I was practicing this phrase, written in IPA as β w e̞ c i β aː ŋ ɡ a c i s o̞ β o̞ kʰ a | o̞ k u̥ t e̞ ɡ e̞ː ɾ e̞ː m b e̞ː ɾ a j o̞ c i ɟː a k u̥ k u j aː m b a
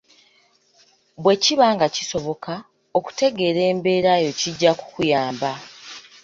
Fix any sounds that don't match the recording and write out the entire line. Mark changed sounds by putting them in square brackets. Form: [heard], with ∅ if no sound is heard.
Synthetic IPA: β w e̞ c i β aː ŋ ɡ a c i s o̞ β o̞ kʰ a | o̞ k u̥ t e̞ ɡ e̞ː ɾ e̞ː m b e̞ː ɾ a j o̞ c i ɟː a k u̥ k u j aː m b a